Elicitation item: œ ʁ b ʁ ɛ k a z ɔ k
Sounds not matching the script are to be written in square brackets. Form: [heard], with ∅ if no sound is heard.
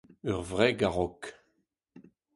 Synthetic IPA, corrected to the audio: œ ʁ [v] ʁ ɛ [ɡ] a [ʁ] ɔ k